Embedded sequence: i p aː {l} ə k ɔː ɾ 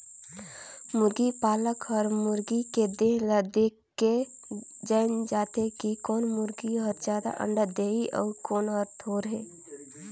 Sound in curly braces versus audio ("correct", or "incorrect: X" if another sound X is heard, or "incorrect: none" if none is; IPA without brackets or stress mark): correct